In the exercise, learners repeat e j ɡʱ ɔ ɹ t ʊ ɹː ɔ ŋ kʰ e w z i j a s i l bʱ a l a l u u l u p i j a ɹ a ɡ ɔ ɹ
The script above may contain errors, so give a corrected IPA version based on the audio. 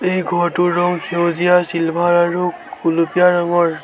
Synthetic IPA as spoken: e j ɡʱ ɔ ɹ t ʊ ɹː ɔ ŋ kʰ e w z i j a s i l bʱ a ɹ a ɹ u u l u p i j a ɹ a ŋ ɔ ɹ